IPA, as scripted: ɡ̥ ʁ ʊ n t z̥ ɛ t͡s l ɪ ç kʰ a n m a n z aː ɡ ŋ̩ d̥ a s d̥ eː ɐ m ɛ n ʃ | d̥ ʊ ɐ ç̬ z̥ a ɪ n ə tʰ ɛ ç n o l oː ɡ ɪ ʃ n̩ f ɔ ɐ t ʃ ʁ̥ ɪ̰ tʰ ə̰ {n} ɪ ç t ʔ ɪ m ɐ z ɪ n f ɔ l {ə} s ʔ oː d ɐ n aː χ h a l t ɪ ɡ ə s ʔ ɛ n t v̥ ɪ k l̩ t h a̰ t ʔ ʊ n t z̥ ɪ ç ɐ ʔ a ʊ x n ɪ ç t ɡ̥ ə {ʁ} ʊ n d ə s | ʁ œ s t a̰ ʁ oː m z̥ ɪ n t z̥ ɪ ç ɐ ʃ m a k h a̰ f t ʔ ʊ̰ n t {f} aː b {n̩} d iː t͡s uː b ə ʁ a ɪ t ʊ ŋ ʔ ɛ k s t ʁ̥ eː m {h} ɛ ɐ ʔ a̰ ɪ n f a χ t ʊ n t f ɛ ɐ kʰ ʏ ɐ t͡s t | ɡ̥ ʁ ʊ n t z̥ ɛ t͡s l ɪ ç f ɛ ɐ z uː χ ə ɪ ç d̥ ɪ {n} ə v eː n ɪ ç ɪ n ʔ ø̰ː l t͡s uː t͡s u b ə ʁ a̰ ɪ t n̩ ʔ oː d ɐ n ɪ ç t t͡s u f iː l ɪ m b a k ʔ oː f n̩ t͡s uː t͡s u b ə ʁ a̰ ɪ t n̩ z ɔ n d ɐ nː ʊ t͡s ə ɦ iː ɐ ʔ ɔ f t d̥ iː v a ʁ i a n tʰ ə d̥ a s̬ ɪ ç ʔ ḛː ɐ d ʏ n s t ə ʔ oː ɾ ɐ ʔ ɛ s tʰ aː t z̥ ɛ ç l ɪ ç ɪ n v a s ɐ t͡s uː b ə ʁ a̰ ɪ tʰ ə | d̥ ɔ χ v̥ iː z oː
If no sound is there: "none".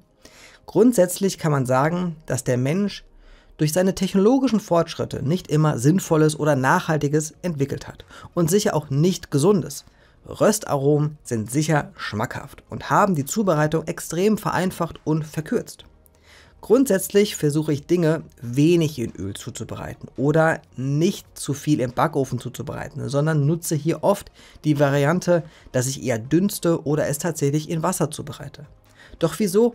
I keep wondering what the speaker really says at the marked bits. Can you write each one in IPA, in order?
n, ə, z, h, m̩, f, ŋ

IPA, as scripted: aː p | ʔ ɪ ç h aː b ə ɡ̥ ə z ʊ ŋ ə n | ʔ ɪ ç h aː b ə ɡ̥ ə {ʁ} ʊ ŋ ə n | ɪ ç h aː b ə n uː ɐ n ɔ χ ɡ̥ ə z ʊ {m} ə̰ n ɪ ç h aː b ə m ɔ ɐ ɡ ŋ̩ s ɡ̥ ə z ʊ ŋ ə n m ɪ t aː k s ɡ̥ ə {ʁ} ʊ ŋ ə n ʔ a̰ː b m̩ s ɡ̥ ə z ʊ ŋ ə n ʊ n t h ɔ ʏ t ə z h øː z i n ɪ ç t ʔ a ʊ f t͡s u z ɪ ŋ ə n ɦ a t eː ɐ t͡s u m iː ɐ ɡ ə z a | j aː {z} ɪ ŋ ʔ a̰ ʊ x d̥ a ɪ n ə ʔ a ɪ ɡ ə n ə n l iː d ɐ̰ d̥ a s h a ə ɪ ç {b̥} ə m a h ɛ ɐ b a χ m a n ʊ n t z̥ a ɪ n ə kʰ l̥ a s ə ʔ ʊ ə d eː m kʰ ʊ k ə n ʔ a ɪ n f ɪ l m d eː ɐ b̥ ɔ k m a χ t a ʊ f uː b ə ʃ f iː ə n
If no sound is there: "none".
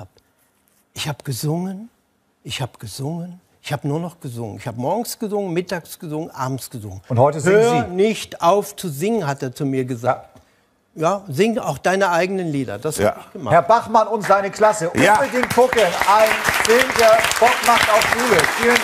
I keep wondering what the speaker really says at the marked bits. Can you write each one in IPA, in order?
z, ŋ, z, z, ɡ̥

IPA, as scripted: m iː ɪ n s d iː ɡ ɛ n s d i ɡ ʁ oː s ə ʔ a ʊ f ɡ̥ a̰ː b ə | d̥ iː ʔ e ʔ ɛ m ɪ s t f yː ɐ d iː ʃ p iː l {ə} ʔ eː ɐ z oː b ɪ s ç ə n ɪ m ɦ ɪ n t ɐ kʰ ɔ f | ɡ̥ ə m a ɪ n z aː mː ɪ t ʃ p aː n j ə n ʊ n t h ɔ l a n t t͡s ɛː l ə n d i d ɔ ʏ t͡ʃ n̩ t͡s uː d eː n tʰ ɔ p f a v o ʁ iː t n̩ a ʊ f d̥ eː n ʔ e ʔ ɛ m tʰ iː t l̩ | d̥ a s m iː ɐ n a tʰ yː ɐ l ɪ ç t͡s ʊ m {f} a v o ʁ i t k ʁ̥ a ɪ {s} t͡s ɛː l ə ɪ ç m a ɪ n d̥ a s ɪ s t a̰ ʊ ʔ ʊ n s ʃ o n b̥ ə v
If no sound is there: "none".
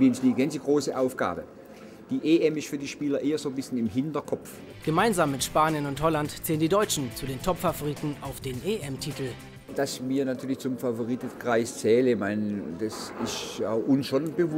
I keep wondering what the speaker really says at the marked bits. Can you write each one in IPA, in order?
ɐ, f, s

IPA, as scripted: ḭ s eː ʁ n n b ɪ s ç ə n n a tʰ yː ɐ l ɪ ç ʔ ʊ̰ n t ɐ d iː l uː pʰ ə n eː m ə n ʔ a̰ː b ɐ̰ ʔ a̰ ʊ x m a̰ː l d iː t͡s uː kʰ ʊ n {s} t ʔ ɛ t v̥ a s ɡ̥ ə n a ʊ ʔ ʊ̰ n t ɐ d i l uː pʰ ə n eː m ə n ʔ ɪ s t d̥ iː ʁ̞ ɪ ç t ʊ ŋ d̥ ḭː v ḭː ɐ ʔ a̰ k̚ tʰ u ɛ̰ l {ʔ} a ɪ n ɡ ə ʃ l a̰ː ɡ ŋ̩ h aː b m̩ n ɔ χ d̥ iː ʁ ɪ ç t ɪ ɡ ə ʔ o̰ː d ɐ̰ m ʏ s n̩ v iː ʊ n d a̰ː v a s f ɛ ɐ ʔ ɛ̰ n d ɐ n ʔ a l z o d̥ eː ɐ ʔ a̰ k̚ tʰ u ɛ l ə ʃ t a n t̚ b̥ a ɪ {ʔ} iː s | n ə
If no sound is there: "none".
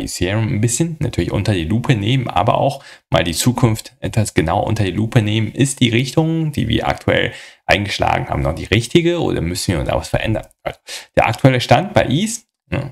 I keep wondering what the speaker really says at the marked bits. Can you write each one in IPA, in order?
f, ʔ, ʔ

